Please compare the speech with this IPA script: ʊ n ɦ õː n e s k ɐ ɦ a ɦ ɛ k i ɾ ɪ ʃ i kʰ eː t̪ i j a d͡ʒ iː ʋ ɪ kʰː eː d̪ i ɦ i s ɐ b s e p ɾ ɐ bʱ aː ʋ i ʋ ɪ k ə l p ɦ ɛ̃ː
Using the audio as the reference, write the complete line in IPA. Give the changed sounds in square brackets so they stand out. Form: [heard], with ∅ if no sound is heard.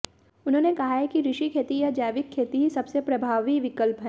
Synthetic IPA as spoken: ʊ n ɦ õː n e [∅] k ɐ ɦ a ɦ ɛ k i ɾ ɪ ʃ i kʰ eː t̪ i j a d͡ʒ [aː] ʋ ɪ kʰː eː [t̪] i ɦ i s ɐ b s e p ɾ ɐ bʱ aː ʋ i ʋ ɪ k ə l p ɦ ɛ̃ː